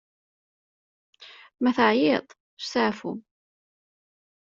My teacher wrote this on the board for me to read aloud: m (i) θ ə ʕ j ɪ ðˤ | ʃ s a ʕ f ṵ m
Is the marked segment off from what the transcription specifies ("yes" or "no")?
yes